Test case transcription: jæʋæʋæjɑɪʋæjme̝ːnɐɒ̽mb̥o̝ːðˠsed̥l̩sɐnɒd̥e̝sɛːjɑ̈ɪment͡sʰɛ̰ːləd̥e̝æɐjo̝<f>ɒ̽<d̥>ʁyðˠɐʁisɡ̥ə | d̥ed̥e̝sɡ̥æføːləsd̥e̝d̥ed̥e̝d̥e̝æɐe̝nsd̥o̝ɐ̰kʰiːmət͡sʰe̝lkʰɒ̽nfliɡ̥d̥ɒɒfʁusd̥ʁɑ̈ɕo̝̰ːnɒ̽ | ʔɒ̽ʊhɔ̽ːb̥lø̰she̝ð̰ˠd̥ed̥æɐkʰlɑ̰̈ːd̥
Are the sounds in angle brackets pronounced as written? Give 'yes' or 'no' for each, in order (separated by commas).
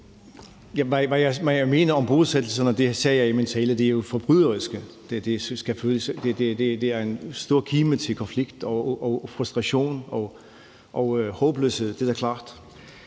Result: yes, no